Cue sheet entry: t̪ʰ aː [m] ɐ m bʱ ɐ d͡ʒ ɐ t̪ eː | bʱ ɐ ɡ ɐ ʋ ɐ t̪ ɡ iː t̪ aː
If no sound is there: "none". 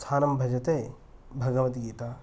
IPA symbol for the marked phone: n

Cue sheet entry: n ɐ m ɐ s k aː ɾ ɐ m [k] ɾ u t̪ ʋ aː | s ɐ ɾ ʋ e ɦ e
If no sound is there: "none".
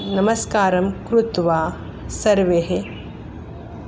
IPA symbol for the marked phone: k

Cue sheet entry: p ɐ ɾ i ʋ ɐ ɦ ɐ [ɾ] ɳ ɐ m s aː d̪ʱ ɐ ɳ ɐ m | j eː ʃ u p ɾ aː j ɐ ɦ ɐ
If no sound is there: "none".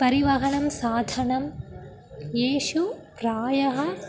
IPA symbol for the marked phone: none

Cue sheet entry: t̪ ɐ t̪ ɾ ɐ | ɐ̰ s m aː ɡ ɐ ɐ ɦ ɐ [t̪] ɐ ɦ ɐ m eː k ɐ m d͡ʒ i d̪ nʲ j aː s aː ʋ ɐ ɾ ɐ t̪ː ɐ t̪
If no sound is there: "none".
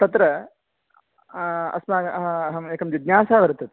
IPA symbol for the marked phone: none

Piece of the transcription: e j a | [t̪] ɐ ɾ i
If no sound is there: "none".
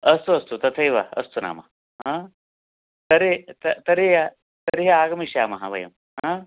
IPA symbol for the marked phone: t̪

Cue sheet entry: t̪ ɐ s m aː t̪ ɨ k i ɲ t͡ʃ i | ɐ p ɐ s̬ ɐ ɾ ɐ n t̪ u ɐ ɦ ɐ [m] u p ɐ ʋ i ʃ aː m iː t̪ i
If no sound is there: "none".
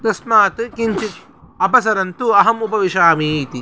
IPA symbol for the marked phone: m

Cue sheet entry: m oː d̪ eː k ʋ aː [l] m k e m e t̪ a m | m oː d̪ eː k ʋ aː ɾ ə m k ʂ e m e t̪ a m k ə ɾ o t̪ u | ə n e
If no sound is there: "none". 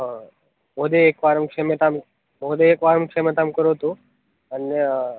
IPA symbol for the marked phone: ɾ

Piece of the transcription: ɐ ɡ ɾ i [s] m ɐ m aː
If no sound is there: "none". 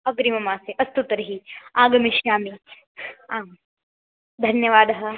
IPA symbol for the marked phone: none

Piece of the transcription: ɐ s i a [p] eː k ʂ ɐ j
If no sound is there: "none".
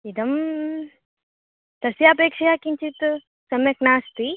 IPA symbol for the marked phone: p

